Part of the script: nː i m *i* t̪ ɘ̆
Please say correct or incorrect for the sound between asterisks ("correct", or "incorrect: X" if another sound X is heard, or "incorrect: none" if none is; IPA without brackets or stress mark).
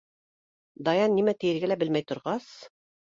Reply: incorrect: æ